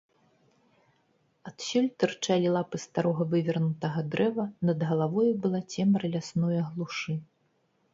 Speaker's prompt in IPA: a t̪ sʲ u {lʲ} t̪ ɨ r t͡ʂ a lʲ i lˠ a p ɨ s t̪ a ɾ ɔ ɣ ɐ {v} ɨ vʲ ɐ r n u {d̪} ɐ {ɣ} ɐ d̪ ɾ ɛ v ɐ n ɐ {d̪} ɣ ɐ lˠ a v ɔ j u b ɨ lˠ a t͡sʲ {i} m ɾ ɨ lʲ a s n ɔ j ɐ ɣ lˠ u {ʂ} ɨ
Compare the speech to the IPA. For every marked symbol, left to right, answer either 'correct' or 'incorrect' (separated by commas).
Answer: correct, correct, incorrect, correct, correct, incorrect, correct